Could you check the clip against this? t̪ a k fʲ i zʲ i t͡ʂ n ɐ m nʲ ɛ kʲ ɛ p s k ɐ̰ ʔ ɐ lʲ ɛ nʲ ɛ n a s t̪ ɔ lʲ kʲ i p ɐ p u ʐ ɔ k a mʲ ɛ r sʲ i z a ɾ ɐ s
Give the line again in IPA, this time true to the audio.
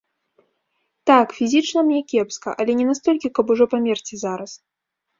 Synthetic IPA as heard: t̪ a k fʲ i zʲ i t͡ʂ n ɐ m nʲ ɛ kʲ ɛ p s k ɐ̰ ʔ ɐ lʲ ɛ nʲ ɛ n a s t̪ ɔ lʲ kʲ i k ɐ p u ʐ ɔ p a mʲ ɛ r t͡sʲ i z a ɾ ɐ s